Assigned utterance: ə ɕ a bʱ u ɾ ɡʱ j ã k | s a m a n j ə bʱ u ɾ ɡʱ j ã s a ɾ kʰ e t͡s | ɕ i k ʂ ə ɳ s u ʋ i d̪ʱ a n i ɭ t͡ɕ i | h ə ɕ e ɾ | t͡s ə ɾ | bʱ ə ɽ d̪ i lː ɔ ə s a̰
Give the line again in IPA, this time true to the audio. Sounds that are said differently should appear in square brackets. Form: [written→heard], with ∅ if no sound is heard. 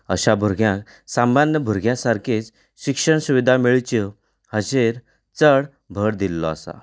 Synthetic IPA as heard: ə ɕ a bʱ u ɾ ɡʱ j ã k | s a m a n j ə bʱ u ɾ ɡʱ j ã s a ɾ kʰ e t͡s | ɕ i k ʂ ə ɳ s u ʋ i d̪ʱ a [n→m] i ɭ t͡ɕ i | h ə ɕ e ɾ | t͡s ə [ɾ→ɽ] | bʱ ə ɽ d̪ i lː ɔ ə s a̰